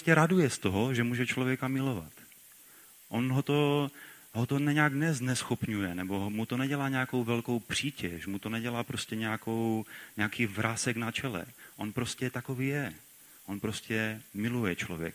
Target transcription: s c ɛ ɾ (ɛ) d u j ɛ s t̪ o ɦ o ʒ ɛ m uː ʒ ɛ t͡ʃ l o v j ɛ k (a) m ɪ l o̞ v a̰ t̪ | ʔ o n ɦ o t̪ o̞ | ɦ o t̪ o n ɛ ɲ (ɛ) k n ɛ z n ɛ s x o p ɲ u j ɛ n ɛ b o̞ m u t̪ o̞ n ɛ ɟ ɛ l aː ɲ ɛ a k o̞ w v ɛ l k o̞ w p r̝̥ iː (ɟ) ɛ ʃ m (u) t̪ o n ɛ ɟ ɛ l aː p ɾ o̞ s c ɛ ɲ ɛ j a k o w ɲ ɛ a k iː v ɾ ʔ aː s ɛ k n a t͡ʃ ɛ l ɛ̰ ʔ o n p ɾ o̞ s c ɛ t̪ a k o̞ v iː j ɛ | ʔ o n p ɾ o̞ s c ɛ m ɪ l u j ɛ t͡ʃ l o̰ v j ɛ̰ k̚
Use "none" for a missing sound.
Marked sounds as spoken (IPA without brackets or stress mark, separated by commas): a, a, a, c, u